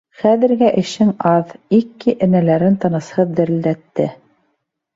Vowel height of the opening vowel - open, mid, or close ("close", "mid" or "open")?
open